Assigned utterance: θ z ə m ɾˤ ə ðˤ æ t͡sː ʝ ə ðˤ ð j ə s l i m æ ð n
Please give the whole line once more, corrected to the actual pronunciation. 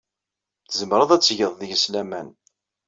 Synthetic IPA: θ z ə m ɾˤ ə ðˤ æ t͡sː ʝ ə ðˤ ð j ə s l æ m æ n

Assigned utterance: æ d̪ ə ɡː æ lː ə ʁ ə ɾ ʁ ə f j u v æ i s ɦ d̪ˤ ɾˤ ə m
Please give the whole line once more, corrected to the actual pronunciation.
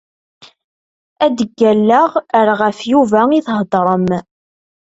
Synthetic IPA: æ d̪ ə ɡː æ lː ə ʁ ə ɾ ʁ ə f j u v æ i θ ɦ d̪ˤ ɾˤ ə m

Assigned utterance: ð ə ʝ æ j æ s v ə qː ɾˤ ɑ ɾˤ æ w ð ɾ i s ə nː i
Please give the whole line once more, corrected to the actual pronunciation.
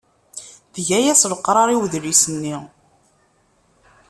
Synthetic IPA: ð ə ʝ æ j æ s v ə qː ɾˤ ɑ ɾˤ i w ð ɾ i s ə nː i

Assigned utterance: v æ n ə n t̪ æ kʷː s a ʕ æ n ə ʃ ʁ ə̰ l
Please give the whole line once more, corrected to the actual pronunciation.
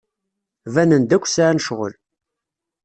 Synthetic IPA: v æ n ə n d̪ æ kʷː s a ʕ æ n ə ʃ ʁ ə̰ l

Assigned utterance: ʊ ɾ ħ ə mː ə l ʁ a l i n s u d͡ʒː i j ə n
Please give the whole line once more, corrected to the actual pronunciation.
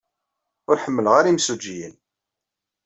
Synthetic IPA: ʊ ɾ ħ ə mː ə l ʁ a ɾ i m s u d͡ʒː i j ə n

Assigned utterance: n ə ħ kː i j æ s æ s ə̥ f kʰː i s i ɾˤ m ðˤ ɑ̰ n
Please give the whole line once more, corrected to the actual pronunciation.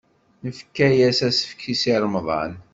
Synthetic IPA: n ə f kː æ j æ s æ s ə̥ f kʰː i s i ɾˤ m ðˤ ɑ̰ n

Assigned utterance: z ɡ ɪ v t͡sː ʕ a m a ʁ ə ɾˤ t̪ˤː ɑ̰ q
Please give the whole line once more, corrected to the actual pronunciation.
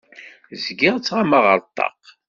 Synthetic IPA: z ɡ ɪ ʁ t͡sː ʁ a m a ʁ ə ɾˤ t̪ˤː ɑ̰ q

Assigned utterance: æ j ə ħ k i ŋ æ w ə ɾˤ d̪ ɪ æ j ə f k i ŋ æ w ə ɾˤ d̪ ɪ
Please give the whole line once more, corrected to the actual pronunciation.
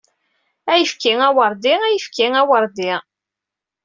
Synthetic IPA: æ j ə f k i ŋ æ w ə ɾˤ d̪ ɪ æ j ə f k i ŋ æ w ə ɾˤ d̪ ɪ

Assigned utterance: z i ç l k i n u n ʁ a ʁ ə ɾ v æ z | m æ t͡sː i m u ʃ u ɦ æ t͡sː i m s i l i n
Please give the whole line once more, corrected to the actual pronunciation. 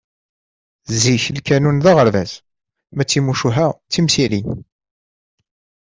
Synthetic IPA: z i ç l k æ n u n ð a ʁ ə ɾ v æ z | m æ t͡sː i m u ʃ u ɦ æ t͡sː i m s i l i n

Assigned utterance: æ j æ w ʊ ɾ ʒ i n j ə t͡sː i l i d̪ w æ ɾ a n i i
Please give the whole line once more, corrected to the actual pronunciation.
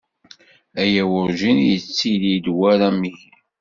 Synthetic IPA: æ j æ w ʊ ɾ ʒ i n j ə t͡sː i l i d̪ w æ ɾ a m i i

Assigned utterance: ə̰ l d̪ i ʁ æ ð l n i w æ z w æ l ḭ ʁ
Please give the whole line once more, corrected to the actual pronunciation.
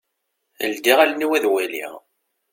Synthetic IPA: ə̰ l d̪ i ʁ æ l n i w æ ð w æ l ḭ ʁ

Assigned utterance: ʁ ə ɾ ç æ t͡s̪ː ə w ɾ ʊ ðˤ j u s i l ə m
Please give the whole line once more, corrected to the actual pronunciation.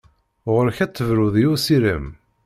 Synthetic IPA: ʁ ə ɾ ç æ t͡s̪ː ə v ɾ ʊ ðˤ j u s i ɾ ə m

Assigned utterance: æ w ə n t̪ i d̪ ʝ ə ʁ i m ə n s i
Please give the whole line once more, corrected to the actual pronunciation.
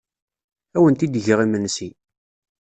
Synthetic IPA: æ w ə n t̪ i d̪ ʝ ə ʁ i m ə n s i

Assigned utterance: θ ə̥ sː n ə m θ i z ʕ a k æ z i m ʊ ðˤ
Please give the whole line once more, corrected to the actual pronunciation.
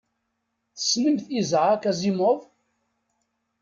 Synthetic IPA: θ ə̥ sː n ə m θ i z ʕ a k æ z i m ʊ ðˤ

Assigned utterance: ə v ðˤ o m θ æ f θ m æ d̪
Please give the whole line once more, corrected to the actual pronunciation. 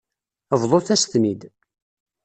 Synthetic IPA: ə v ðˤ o θ æ s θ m i d̪

